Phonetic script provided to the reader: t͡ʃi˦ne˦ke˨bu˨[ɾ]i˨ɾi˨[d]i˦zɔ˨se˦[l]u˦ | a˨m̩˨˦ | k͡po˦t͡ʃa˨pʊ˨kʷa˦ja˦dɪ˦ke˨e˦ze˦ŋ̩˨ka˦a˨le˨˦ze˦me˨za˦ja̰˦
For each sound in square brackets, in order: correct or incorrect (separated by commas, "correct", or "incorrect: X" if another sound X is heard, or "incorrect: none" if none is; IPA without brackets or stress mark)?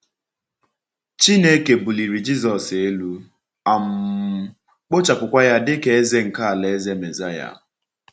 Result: incorrect: l, incorrect: d͡ʒ, correct